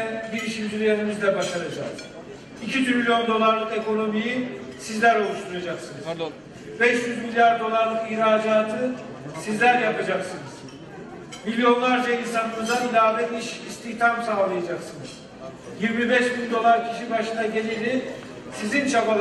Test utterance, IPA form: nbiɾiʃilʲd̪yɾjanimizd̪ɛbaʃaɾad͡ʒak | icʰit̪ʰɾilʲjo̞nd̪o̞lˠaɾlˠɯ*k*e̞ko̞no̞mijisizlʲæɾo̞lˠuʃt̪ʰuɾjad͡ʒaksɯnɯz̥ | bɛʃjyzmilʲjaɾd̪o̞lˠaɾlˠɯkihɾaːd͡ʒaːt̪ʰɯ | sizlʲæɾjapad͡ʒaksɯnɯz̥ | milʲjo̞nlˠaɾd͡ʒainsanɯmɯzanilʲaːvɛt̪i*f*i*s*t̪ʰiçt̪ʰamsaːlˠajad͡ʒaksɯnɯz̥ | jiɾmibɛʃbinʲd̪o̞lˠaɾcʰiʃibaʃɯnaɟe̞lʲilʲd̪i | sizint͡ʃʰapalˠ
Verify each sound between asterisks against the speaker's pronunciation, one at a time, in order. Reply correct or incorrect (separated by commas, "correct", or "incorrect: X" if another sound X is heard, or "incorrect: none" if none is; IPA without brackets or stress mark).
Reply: correct, incorrect: ʃ, correct